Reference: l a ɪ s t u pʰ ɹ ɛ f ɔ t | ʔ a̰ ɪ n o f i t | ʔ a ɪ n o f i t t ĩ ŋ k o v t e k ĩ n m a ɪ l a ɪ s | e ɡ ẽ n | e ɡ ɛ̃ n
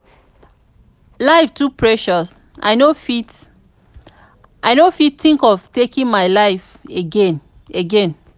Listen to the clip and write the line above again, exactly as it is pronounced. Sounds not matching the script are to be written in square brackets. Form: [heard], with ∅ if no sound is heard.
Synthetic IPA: l a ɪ [f] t u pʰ ɹ ɛ [ʃ] ɔ [s] | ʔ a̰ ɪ n o f i t | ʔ a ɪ n o f i t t ĩ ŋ k [ɔ] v t e k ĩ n m a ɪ l a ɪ [f] | e ɡ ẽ n | e ɡ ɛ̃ n